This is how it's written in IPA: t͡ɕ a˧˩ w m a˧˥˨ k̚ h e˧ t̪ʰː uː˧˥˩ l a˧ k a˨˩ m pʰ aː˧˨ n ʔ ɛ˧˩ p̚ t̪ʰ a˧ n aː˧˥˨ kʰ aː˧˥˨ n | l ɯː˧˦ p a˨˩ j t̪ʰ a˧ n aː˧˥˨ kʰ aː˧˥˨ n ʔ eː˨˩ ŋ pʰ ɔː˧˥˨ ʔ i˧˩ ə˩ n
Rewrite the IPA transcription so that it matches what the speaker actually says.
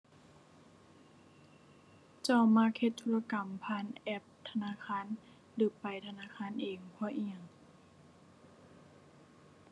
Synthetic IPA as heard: t͡ɕ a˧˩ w m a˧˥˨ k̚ h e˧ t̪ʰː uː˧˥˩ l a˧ k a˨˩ m pʰ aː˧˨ n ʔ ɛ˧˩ p̚ t̪ʰ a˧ n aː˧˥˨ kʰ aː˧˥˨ n | l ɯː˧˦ p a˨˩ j t̪ʰ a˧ n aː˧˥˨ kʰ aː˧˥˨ n ʔ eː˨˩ ŋ pʰ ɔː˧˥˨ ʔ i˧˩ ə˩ ŋ